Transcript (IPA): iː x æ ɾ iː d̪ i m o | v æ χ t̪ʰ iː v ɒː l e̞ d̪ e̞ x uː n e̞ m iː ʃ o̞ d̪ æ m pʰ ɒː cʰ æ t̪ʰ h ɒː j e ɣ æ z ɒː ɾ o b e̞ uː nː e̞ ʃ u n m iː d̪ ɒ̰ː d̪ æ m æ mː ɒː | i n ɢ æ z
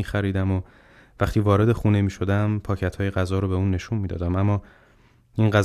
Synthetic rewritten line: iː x æ ɾ iː d̪ æ m o | v æ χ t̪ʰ iː v ɒː ɾ e̞ d̪ e̞ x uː n e̞ m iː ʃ o̞ d̪ æ m pʰ ɒː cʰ æ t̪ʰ h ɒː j e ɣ æ z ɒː ɾ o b e̞ uː nː e̞ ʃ u n m iː d̪ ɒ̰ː d̪ æ m æ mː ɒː | i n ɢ æ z